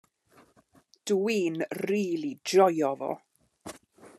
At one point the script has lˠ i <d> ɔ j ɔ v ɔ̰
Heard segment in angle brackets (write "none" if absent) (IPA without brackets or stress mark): d